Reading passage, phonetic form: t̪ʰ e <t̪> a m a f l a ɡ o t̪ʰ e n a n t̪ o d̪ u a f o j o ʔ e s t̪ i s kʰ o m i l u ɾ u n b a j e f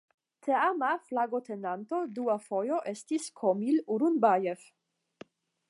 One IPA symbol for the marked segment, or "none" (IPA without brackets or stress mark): none